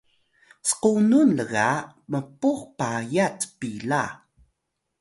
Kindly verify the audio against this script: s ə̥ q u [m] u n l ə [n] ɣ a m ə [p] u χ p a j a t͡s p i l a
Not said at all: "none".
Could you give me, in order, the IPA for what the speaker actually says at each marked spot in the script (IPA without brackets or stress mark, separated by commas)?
n, none, p